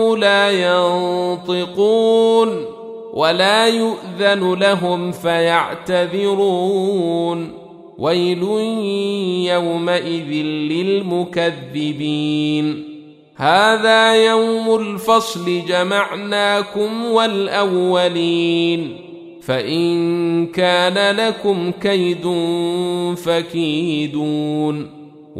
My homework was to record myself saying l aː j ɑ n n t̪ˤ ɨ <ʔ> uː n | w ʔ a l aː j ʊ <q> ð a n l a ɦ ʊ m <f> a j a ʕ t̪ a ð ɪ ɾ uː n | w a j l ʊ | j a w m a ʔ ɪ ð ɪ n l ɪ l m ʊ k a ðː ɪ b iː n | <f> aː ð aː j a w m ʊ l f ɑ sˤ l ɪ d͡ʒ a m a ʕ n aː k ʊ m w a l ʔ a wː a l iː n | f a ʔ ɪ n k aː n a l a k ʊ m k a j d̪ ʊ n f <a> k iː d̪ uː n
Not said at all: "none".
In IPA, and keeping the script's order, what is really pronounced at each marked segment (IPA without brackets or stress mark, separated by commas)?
q, ʔ, f, h, a